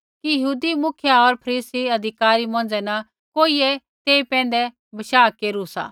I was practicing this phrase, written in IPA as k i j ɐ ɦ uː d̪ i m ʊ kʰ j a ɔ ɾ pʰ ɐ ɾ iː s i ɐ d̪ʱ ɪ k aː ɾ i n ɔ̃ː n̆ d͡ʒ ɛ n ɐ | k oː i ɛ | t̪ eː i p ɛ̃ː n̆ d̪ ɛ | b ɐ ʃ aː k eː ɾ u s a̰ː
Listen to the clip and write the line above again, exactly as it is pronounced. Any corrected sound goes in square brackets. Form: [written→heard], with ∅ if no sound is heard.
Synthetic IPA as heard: k i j ɐ ɦ uː d̪ i m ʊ kʰ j a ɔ ɾ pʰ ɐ ɾ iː s i ɐ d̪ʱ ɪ k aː ɾ i [n→m] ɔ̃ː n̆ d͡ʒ ɛ n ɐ | k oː i ɛ | t̪ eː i p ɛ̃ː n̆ d̪ ɛ | b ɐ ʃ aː k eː ɾ u s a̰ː